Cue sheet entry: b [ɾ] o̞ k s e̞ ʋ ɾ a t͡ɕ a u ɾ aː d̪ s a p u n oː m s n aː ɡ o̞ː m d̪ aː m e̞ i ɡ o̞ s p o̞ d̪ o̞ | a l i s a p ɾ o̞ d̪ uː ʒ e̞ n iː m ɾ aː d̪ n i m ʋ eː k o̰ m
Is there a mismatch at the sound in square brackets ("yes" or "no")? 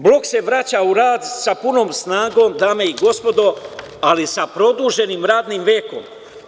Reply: yes